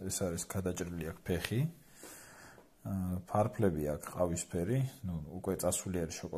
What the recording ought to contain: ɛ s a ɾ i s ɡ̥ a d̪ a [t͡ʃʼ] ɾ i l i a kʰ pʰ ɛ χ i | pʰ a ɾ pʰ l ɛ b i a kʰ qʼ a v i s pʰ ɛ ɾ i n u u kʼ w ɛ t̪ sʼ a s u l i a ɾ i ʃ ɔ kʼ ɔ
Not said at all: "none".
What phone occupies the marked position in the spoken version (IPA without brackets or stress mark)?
t͡ʃʼ